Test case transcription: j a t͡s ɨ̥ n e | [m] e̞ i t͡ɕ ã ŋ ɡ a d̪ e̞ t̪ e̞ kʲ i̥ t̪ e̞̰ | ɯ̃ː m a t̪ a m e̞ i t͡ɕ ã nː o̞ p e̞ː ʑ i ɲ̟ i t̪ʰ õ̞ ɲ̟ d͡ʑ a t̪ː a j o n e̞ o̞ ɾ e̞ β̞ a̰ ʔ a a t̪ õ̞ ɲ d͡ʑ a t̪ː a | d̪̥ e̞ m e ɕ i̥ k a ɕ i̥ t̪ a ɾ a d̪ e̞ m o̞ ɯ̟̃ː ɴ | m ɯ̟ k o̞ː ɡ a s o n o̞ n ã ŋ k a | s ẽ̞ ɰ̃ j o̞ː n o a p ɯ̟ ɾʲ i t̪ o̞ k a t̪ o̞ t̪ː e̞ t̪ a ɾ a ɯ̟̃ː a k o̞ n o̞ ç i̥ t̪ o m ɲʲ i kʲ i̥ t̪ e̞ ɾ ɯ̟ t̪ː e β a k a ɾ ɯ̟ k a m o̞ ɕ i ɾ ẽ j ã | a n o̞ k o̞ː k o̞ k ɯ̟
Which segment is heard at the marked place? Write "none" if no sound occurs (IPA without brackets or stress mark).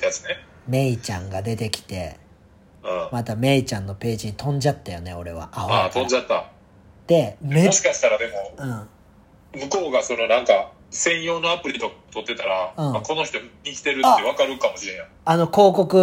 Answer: m